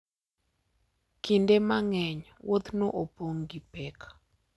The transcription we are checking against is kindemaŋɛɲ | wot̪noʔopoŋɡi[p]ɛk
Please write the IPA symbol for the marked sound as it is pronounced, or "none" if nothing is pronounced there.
p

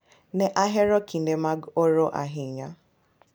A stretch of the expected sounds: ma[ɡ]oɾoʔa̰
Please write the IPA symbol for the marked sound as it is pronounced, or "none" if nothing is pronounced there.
ɡ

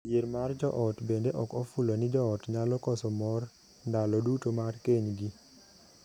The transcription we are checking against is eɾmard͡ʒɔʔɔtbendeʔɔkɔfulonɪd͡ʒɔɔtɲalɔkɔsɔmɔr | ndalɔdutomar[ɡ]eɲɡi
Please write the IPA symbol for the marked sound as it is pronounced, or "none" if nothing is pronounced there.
k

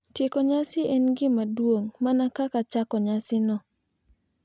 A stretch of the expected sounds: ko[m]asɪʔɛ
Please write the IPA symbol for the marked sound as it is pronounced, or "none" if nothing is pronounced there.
ɲ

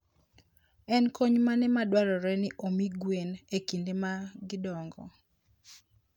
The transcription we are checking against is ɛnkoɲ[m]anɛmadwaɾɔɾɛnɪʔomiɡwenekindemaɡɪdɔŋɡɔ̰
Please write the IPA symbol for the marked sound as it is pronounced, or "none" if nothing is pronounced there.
m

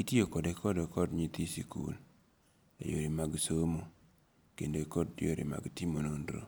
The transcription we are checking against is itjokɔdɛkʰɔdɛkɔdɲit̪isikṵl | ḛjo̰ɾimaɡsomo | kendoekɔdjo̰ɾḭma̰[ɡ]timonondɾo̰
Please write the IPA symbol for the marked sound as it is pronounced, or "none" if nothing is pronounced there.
ɡ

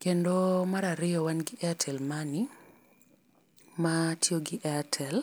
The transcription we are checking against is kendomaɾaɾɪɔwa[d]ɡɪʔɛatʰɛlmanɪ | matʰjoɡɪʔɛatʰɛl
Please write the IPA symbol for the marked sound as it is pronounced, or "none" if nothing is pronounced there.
n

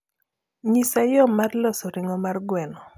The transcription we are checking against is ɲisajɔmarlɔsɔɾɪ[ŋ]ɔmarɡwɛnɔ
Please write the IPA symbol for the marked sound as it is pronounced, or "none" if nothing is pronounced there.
ŋ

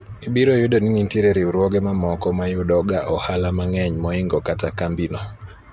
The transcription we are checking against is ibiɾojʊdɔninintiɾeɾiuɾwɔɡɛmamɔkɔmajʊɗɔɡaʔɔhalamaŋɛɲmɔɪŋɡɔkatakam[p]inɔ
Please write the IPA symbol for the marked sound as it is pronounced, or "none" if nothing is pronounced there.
b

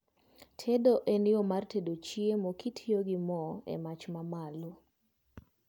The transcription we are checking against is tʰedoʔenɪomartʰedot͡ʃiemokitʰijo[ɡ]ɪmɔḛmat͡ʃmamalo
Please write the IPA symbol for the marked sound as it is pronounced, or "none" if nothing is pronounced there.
ɡ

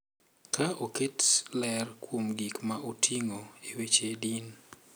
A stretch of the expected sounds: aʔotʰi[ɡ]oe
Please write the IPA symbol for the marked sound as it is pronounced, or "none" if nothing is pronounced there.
ŋ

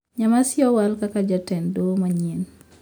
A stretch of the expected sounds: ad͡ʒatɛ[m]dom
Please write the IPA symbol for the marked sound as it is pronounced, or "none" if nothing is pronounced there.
n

